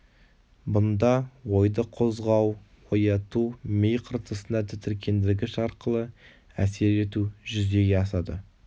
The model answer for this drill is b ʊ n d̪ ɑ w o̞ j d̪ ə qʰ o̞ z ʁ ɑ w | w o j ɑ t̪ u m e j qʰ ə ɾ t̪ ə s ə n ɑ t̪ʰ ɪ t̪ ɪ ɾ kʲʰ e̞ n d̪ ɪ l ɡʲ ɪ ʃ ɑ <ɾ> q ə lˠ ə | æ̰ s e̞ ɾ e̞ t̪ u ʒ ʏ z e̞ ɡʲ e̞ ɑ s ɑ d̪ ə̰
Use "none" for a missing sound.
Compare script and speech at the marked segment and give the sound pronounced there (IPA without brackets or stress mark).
ɾ